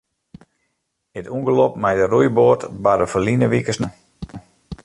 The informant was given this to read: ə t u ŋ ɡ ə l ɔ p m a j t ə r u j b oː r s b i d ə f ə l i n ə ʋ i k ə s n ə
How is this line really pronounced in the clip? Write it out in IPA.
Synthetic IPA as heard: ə t u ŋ ɡ ə l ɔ p m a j d ə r u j b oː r t b a d ə f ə l i n ə ʋ i k ə s n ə